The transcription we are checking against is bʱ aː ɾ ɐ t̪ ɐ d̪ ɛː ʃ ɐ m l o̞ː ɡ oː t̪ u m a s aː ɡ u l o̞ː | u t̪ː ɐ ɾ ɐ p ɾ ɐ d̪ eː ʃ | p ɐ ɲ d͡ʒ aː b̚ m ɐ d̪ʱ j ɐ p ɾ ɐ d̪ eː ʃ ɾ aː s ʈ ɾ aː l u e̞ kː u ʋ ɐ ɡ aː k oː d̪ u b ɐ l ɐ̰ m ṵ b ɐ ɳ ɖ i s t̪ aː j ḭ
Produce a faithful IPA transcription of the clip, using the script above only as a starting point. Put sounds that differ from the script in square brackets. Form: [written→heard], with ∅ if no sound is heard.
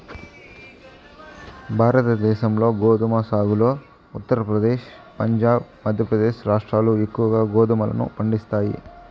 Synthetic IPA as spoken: bʱ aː ɾ ɐ t̪ ɐ d̪ ɛː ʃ ɐ m l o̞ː ɡ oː [t̪→d̪] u m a s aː ɡ u l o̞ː | u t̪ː ɐ ɾ ɐ p ɾ ɐ d̪ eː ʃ | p ɐ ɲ d͡ʒ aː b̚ m ɐ d̪ʱ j ɐ p ɾ ɐ d̪ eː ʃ ɾ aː [s→ʂ] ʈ ɾ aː l u e̞ kː u ʋ ɐ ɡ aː [k→ɡ] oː d̪ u [b→m] ɐ l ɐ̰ [m→n] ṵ [b→p] ɐ ɳ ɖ i s t̪ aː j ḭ

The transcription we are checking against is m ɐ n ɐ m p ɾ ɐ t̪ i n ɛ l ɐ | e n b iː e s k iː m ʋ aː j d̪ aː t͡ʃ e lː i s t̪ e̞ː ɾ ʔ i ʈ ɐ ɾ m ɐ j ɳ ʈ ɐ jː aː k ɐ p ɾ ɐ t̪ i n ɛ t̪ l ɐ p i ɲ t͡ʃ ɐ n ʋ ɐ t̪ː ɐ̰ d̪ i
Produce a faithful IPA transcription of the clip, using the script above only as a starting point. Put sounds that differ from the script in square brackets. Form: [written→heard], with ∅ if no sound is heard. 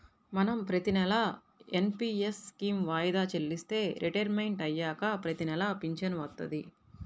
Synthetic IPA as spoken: m ɐ n ɐ m p ɾ ɐ t̪ i n ɛ l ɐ | e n [b→p] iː e s k iː m ʋ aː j d̪ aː t͡ʃ e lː i s t̪ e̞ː ɾ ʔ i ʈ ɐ ɾ m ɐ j ɳ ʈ ɐ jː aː k ɐ p ɾ ɐ t̪ i n ɛ [t̪→∅] l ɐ p i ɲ t͡ʃ ɐ n ʋ ɐ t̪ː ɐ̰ d̪ i

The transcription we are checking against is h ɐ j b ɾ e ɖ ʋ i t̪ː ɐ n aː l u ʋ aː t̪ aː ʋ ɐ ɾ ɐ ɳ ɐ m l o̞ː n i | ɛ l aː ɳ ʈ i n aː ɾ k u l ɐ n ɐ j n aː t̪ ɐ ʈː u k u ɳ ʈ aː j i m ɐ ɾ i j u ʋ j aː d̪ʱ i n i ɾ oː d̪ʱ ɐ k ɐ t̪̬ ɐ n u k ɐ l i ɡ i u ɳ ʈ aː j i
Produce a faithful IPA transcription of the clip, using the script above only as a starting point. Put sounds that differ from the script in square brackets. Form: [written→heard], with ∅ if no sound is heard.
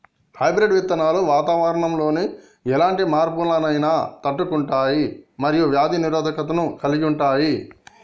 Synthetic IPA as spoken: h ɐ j b ɾ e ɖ ʋ i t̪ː ɐ n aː l u ʋ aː t̪ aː ʋ ɐ ɾ ɐ ɳ ɐ m l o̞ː n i | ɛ l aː ɳ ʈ i [n→m] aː ɾ [k→p] u l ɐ n ɐ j n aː t̪ ɐ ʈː u k u ɳ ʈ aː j i m ɐ ɾ i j u ʋ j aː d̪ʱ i n i ɾ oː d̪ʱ ɐ k ɐ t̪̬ ɐ n u k ɐ l i ɡ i u ɳ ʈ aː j i

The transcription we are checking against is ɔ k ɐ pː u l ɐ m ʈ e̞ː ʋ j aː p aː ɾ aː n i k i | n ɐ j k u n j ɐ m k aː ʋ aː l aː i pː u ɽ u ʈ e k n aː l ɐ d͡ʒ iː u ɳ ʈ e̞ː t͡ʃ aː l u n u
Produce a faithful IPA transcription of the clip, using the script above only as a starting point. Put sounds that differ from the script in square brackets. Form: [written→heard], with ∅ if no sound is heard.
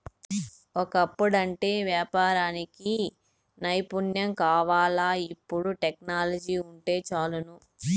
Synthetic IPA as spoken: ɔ k ɐ pː u [l→ɽ] ɐ [m→ɳ] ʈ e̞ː ʋ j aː p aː ɾ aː n i k i | n ɐ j [k→p] u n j ɐ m k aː ʋ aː l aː i pː u ɽ u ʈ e k n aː l ɐ d͡ʒ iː u ɳ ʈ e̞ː t͡ʃ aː l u n u

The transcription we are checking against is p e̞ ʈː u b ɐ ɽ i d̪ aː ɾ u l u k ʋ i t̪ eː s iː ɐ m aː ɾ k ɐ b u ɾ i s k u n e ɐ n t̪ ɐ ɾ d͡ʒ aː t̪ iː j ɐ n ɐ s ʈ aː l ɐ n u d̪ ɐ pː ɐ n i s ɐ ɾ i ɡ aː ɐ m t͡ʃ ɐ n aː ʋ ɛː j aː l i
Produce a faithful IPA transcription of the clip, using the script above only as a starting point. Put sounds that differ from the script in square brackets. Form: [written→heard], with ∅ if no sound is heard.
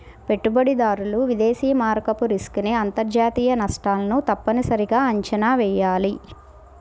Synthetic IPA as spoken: p e̞ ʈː u b ɐ ɽ i d̪ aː ɾ u l u [k→∅] ʋ i [t̪→d̪] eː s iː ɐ m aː ɾ k ɐ [b→p] u ɾ i s k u n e ɐ n t̪ ɐ ɾ d͡ʒ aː t̪ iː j ɐ n ɐ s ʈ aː l ɐ n u [d̪→t̪] ɐ pː ɐ n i s ɐ ɾ i ɡ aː ɐ [m→ɲ] t͡ʃ ɐ n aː ʋ ɛː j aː l i

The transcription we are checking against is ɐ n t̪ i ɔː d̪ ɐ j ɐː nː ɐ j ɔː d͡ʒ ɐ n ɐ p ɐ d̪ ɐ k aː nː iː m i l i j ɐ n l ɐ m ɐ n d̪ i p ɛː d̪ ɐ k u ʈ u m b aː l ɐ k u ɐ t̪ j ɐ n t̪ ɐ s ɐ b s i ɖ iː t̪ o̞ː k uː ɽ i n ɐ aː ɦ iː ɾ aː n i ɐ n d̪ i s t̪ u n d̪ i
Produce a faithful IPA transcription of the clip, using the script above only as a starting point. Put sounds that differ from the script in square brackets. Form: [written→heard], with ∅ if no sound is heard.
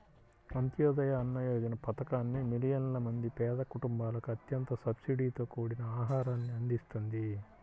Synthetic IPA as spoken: ɐ n t̪ [i→j] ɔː d̪ ɐ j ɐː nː ɐ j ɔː d͡ʒ ɐ n ɐ p ɐ [d̪→t̪] ɐ k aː nː [iː→i] m i l i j ɐ n l ɐ m ɐ n d̪ i p ɛː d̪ ɐ k u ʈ u m b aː l ɐ k u ɐ t̪ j ɐ n t̪ ɐ s ɐ b s i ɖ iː t̪ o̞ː k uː ɽ i n ɐ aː ɦ [iː→aː] ɾ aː [n→nː] i ɐ n d̪ i s t̪ u n d̪ i

